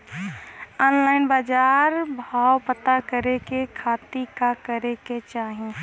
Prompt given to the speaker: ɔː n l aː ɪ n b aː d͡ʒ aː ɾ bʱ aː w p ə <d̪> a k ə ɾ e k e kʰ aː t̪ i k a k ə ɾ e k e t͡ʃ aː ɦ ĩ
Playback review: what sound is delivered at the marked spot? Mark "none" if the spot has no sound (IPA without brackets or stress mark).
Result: t̪